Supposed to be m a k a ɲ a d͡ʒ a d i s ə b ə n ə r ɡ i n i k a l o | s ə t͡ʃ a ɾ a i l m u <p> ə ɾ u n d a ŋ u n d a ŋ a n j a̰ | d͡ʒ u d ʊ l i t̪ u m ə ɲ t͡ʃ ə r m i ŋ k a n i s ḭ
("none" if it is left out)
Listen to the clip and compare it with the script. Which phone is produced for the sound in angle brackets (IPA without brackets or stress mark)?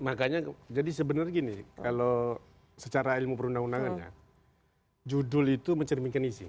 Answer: p